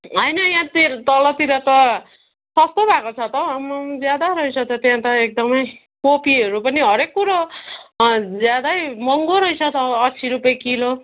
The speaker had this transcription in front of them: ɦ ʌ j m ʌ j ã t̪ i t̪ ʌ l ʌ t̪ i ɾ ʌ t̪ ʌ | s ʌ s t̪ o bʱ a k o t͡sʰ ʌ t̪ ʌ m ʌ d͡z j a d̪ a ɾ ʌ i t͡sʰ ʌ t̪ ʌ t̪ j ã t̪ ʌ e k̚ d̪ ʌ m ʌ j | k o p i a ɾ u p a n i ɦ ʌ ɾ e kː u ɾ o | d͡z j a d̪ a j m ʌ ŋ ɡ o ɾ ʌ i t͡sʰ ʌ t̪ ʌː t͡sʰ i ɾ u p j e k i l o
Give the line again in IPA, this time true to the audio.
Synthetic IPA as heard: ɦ ʌ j n ʌ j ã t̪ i t̪ ʌ l ʌ t̪ i ɾ ʌ t̪ ʌ | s ʌ s t̪ o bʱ a k o t͡sʰ ʌ t̪ ʌ m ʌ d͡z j a d̪ a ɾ ʌ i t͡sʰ ʌ t̪ ʌ t̪ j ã t̪ ʌ e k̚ d̪ ʌ m ʌ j | k o p i ʌ ɾ u p ʌ n i ɦ ʌ ɾ e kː u ɾ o | d͡z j a d̪ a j m ʌ ŋ ɡ o ɾ ʌ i t͡sʰ ʌ t̪ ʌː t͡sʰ i ɾ u p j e k i l o

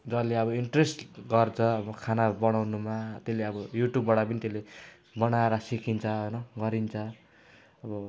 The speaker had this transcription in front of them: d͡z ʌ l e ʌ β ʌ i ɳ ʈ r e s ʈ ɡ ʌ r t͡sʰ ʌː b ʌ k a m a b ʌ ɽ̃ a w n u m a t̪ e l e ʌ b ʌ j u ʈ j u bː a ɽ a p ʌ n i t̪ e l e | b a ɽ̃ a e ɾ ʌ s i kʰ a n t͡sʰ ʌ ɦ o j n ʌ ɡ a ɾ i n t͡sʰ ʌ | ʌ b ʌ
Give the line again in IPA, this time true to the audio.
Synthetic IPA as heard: d͡z ʌ l e ʌ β ʌ i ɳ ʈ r e s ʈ ɡ ʌ r t͡sʰ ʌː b ʌ kʰ a n a b ʌ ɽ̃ a w n u m a t̪ e l e ʌ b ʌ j u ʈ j u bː a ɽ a p ʌ n i t̪ e l e | b ʌ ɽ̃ a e ɾ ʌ s i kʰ i n t͡sʰ ʌ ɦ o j n ʌ ɡ ʌ ɾ i n t͡sʰ ʌ | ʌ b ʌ

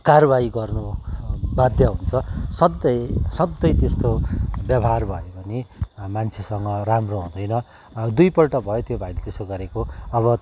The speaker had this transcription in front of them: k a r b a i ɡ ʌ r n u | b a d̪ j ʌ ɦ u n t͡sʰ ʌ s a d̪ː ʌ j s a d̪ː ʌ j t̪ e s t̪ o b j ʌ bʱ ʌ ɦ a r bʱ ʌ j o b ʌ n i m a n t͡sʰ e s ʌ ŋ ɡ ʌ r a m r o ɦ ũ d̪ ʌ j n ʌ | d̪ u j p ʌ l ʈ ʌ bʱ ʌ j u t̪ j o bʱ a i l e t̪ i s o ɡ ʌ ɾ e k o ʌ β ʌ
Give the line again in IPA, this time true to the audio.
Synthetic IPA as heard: k a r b a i ɡ ʌ r n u | b a d̪ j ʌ ɦ u n t͡sʰ ʌ s ʌ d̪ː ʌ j s ʌ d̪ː ʌ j t̪ e s t̪ o b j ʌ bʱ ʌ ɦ a r bʱ ʌ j o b ʌ n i m a n t͡sʰ e s ʌ ŋ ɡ ʌ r a m r o ɦ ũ d̪ ʌ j n ʌ | d̪ u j p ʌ l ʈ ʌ bʱ ʌ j o t̪ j o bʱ a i l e t̪ e s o ɡ ʌ ɾ e k o ʌ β ʌ

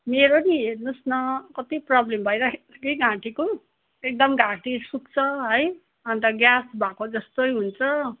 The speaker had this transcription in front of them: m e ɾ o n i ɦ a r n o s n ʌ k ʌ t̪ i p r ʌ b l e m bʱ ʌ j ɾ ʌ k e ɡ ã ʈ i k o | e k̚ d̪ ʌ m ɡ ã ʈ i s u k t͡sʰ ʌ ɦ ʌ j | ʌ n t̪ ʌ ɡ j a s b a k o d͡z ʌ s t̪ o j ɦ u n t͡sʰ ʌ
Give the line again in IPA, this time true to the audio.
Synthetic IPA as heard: m e ɾ o n i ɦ e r n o s n ʌ k ʌ t̪ i p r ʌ b l e m bʱ ʌ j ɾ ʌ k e ɡ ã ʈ i k o | e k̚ d̪ ʌ m ɡ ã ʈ i s u k t͡sʰ ʌ ɦ ʌ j | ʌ n t̪ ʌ ɡ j a s b a k o d͡z ʌ s t̪ o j ɦ u n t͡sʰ ʌ

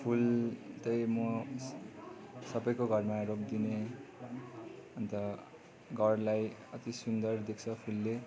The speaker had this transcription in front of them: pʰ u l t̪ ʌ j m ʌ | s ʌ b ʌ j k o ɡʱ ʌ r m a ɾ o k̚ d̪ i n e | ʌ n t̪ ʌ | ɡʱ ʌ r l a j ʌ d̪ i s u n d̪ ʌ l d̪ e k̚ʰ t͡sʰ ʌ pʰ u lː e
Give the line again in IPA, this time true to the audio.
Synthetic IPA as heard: pʰ u l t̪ ʌ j m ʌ | s ʌ b ʌ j k o ɡʱ ʌ r m a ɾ o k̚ d̪ i n e | ʌ n t̪ ʌ | ɡʱ ʌ r l a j ʌ t̪ i s u n d̪ ʌ r d̪ e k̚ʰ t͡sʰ ʌ pʰ u lː e

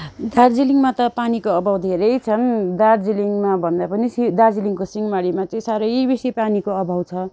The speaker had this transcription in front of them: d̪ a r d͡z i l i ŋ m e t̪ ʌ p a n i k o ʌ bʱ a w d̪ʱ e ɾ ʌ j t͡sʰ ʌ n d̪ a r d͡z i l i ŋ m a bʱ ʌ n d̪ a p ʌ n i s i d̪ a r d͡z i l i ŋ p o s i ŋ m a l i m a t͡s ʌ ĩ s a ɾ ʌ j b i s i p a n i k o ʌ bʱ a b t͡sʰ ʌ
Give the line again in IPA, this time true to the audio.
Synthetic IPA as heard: d̪ a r d͡z i l i ŋ m a t̪ ʌ p a n i k o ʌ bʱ a w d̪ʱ e ɾ ʌ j t͡sʰ ʌ n d̪ a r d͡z i l i ŋ m a bʱ ʌ n d̪ a p ʌ n i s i d̪ a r d͡z i l i ŋ k o s i ŋ m a ɽ i m a t͡s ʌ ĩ s a ɾ ʌ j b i s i p a n i k o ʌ bʱ a w t͡sʰ ʌ

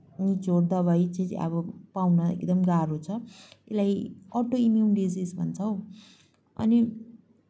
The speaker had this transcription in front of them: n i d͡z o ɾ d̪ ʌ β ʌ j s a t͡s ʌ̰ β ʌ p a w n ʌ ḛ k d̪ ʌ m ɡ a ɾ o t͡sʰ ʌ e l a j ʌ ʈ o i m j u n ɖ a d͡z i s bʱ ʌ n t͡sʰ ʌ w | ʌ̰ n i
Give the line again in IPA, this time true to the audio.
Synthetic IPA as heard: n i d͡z o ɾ d̪ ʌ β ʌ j t͡s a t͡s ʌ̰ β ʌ p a w n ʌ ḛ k d̪ ʌ m ɡ a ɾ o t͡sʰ ʌ e l a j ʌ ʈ o i m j u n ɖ i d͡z i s bʱ ʌ n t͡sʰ ʌ w | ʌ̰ n i

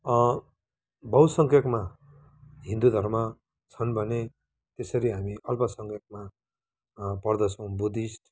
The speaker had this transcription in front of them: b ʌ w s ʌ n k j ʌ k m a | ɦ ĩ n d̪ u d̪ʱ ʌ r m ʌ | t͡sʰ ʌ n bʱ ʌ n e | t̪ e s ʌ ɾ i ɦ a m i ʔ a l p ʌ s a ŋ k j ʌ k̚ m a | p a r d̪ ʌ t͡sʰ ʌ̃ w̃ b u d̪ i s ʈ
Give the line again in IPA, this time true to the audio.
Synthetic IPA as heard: b ʌ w s ʌ ŋ k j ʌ k m a | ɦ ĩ n d̪ u d̪ʱ ʌ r m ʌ | t͡sʰ ʌ n bʱ ʌ n e | t̪ e s ʌ ɾ i ɦ a m i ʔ ʌ l p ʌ s ʌ ŋ k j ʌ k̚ m a | p ʌ r d̪ ʌ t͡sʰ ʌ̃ w̃ b u d̪ i s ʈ

